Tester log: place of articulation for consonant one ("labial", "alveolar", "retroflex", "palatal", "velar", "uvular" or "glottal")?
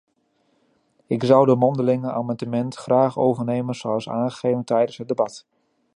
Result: velar